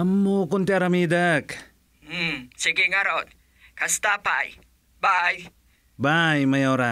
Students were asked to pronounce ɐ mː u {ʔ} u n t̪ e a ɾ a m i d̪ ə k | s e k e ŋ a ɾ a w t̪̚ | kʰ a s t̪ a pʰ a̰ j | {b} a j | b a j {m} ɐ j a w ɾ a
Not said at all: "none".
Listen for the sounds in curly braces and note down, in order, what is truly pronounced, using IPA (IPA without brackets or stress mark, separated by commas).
k, b, m